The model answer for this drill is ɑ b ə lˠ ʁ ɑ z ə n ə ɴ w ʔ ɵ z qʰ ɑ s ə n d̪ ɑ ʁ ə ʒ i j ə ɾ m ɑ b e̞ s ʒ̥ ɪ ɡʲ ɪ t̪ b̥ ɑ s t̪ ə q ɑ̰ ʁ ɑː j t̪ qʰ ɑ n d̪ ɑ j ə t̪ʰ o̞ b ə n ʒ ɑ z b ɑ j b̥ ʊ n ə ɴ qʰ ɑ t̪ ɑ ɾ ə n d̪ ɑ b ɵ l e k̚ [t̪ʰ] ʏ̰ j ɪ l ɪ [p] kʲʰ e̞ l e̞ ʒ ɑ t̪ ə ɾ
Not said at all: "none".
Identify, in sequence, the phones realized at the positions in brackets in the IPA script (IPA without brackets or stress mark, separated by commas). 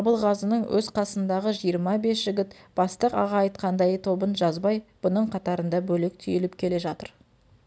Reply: t̪ʰ, p